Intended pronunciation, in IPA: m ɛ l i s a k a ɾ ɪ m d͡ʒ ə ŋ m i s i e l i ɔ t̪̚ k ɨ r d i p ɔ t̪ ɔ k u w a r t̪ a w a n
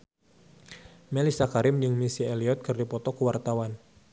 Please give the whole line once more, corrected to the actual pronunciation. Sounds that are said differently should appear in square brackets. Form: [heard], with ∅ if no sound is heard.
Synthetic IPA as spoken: m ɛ l i s a k a ɾ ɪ m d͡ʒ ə ŋ m i s i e l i ɔ t̪̚ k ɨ r d i p ɔ t̪ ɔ k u w a r t̪ a w a n